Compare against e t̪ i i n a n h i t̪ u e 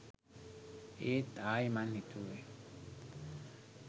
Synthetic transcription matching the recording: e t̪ a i m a n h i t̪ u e